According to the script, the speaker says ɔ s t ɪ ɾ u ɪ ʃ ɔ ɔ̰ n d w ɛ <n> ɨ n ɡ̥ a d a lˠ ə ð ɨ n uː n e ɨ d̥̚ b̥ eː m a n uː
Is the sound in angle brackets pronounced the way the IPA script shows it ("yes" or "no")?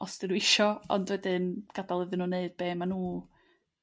no